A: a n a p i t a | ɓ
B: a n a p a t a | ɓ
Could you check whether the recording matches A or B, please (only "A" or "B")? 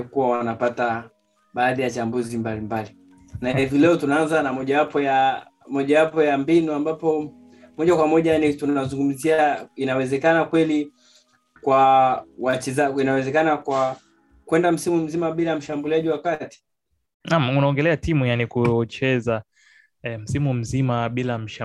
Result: B